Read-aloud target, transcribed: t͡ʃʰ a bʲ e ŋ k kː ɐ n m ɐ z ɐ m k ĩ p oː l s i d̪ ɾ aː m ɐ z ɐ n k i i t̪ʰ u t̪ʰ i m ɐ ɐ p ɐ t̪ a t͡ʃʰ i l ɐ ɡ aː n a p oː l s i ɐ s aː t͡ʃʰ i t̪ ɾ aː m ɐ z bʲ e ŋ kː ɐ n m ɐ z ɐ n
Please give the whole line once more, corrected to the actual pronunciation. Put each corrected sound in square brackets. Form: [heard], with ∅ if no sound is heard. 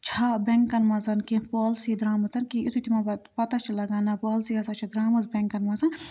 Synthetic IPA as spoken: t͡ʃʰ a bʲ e ŋ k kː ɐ n m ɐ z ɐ [n] k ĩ p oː l s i d̪ ɾ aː m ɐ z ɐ n k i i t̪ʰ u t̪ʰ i m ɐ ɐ p ɐ t̪ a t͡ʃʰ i l ɐ ɡ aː n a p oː l s i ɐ s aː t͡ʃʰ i [d̪] ɾ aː m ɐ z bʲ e ŋ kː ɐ n m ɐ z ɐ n